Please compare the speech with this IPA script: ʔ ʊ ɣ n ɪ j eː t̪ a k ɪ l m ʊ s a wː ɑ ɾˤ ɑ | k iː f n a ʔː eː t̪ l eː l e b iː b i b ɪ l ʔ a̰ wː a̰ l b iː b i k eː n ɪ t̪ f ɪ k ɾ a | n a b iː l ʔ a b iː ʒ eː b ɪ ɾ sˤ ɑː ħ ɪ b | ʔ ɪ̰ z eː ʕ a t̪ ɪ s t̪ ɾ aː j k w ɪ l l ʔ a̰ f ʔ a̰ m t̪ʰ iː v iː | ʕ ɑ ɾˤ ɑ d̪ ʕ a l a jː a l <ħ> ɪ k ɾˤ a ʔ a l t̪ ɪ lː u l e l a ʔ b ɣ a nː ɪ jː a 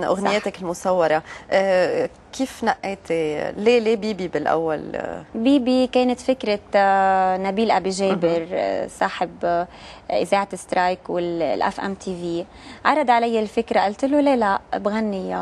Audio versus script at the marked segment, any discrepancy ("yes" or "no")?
yes